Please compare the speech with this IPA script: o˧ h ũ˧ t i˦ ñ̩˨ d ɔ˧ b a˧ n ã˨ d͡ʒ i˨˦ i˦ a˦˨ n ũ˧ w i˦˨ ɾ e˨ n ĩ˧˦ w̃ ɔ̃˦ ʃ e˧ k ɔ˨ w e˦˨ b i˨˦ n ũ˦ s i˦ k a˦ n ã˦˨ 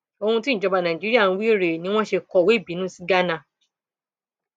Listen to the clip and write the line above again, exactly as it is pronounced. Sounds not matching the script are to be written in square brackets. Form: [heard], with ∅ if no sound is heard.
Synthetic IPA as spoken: o˧ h ũ˧ t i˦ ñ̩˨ [d͡ʒ] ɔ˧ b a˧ n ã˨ d͡ʒ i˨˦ i˦ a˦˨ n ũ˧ w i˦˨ ɾ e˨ n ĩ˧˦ w̃ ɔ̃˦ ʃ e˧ k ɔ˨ w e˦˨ b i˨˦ n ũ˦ s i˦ [ɡ] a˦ n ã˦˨